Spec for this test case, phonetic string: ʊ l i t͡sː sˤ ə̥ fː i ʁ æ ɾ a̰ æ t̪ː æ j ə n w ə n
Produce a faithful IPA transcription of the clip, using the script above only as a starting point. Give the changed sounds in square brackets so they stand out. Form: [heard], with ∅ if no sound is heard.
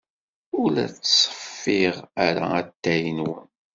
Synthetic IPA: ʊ l [æ] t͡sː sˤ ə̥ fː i ʁ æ ɾ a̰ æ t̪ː æ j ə n w ə n